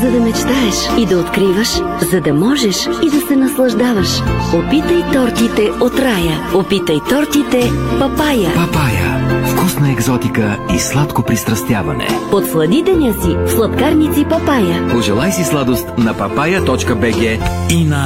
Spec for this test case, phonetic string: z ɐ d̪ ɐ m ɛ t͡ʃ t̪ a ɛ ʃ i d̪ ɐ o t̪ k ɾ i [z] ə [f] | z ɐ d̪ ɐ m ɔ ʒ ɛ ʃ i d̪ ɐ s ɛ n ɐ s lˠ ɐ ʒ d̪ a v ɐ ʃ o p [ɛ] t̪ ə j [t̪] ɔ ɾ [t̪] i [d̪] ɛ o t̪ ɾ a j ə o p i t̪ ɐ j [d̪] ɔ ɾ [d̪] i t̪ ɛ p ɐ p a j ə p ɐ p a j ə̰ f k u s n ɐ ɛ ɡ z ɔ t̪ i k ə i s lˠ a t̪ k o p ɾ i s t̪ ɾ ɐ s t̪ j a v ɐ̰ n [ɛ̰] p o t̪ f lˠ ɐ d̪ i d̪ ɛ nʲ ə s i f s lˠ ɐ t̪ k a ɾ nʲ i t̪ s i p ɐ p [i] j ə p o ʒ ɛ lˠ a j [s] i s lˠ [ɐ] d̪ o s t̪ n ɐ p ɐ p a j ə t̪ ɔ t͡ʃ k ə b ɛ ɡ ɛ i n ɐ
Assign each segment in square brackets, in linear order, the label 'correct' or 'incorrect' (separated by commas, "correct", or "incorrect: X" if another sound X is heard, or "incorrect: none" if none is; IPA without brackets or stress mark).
incorrect: v, incorrect: ʃ, incorrect: i, correct, correct, incorrect: t̪, incorrect: t̪, incorrect: t̪, correct, incorrect: a, correct, incorrect: a